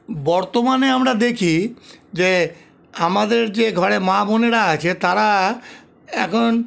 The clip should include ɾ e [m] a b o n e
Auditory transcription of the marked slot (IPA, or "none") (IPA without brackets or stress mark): m